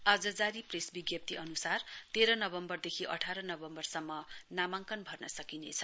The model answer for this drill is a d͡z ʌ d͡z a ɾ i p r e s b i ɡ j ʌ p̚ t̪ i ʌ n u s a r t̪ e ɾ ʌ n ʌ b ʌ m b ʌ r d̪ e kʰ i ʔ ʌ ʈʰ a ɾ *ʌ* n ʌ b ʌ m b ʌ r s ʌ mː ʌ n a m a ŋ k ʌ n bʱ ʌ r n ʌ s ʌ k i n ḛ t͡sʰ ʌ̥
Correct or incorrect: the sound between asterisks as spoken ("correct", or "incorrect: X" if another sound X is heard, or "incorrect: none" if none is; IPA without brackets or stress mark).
correct